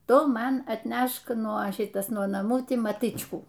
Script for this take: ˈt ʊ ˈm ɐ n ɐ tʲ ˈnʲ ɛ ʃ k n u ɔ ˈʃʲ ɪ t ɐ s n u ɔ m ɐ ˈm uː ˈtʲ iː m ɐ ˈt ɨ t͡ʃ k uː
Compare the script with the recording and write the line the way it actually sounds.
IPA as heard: ˈt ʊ ˈm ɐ n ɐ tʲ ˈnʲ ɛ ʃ k n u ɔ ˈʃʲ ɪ t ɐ s n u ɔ n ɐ ˈm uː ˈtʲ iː m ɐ ˈt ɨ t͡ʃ k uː